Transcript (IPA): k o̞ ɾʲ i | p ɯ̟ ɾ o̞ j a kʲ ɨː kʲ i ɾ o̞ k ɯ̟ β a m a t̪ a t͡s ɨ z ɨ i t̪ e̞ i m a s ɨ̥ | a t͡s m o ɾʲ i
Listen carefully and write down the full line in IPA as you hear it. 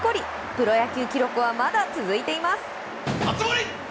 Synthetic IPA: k o̞ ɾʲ i | p ɯ̟ ɾ o̞ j a kʲ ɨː kʲ i ɾ o̞ k ɯ̟ β a m a d̪ a t͡s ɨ z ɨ i t̪ e̞ i m a s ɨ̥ | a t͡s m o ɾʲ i